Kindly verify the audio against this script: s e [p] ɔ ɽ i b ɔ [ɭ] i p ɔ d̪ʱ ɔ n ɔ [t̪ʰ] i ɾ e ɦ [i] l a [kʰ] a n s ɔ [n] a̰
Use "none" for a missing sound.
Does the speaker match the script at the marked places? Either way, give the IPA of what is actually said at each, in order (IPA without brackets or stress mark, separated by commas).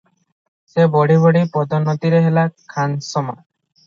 b, ɽ, t̪, e, kʰ, m